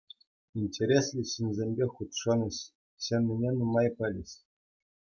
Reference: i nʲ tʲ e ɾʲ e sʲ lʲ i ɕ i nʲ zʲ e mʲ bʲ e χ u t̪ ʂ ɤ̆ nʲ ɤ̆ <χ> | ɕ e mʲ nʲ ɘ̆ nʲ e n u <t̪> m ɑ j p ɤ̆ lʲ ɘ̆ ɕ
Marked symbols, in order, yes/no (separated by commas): no, no